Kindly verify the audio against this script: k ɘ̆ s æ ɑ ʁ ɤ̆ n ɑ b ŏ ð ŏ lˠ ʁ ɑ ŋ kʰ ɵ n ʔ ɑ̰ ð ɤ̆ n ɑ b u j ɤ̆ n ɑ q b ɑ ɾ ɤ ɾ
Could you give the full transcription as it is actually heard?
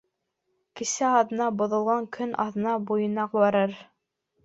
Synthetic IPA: k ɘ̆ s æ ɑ ð ɤ̆ n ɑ b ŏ ð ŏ lˠ ʁ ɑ ŋ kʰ ɵ n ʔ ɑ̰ ð ɤ̆ n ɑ b u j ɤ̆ n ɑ q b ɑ ɾ ɤ ɾ